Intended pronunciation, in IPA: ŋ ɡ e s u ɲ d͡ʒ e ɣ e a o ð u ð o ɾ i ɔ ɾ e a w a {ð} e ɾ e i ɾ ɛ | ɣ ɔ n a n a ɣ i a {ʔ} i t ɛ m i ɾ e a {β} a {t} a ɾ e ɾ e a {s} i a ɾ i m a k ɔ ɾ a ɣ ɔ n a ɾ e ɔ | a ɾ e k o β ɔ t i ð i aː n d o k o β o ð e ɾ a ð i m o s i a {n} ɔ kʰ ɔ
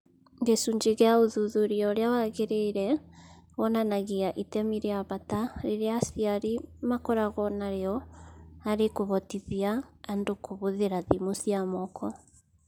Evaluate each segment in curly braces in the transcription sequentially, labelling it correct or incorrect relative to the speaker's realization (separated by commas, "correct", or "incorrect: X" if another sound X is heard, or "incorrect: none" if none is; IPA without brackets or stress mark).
incorrect: ɣ, correct, correct, correct, correct, incorrect: m